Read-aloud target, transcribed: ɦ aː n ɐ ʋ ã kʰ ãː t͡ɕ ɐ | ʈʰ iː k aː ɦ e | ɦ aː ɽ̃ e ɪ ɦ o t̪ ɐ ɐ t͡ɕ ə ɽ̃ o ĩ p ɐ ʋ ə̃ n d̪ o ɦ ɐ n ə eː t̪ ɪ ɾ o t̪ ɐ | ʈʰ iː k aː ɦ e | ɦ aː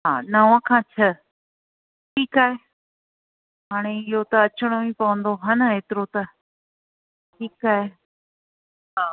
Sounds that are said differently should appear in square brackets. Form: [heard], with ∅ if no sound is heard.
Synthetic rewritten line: ɦ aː n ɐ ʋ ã kʰ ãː [t͡ɕʰ] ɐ | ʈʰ iː k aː ɦ e | ɦ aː ɽ̃ e ɪ ɦ o t̪ ɐ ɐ t͡ɕ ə ɽ̃ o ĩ p ɐ ʋ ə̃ n d̪ o ɦ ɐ n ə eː t̪ ɪ ɾ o t̪ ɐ | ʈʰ iː k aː ɦ e | ɦ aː

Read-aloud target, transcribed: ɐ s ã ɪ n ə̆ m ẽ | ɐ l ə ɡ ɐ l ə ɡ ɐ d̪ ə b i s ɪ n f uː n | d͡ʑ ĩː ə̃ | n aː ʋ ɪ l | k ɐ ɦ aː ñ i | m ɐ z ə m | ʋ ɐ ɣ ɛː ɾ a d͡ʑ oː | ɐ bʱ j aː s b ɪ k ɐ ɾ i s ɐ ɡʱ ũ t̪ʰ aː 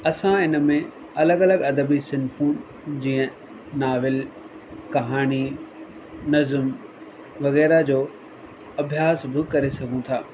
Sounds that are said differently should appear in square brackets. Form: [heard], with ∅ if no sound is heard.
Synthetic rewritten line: ɐ s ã ɪ n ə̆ m ẽ | ɐ l ə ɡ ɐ l ə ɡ ɐ d̪ ə b i s ɪ n f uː n | d͡ʑ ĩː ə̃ | n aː ʋ ɪ l | k ɐ ɦ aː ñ i | [n] ɐ z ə m | ʋ ɐ ɣ ɛː ɾ a d͡ʑ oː | ɐ bʱ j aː s b ɪ k ɐ ɾ [e] s ɐ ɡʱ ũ t̪ʰ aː

